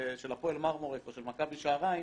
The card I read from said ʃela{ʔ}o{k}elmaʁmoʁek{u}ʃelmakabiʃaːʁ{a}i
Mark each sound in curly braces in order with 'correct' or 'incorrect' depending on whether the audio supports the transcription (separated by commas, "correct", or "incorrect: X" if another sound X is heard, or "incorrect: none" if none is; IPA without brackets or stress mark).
incorrect: p, incorrect: none, incorrect: o, correct